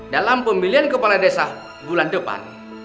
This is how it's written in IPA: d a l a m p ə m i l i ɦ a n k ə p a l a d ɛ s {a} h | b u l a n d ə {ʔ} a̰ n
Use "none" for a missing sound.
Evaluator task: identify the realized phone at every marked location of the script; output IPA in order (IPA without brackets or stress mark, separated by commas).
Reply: a, p